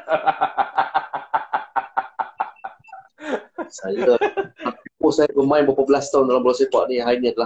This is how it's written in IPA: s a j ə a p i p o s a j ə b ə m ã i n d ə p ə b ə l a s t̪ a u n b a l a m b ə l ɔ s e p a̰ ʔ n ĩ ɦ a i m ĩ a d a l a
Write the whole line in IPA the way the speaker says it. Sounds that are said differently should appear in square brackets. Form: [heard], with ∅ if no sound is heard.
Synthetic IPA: s a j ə a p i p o s a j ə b ə m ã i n [b] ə p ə b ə l a s t̪ a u n [d] a l a m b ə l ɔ s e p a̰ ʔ n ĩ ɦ a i [n] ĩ a d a l a